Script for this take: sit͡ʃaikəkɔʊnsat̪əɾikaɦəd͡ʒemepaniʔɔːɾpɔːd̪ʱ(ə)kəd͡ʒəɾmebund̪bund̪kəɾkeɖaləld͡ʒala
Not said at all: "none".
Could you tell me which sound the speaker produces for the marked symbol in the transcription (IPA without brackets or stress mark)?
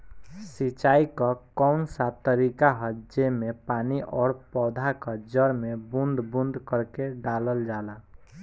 a